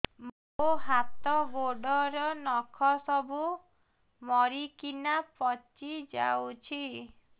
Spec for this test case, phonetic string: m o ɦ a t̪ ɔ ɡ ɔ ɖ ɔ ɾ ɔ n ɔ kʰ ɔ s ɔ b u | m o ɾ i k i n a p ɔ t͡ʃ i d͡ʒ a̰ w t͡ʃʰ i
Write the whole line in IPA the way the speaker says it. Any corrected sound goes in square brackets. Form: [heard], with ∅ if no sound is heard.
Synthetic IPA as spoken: m o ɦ a t̪ ɔ ɡ [o] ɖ ɔ ɾ ɔ n ɔ kʰ ɔ s ɔ b u | m [ɔ] ɾ i k i n a p ɔ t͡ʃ i d͡ʒ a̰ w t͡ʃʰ i